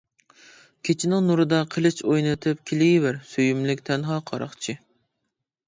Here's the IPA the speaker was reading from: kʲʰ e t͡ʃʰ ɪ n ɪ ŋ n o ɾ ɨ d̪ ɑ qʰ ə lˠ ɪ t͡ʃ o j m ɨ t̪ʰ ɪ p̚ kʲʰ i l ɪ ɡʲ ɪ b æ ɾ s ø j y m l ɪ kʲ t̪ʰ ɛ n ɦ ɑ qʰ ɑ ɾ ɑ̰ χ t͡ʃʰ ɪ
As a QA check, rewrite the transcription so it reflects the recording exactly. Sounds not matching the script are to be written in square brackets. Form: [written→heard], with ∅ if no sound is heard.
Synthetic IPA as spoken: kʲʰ e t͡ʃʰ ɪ n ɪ ŋ n [o→u] ɾ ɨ d̪ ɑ qʰ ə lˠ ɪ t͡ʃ o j [m→n] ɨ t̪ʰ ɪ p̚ kʲʰ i l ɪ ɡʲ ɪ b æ ɾ s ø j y m l ɪ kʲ t̪ʰ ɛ n ɦ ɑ qʰ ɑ ɾ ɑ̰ χ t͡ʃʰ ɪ